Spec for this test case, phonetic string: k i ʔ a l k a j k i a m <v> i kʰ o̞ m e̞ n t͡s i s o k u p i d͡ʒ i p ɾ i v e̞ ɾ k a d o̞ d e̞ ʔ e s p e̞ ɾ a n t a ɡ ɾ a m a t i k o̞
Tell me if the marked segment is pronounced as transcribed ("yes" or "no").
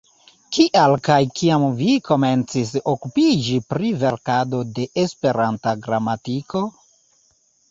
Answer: yes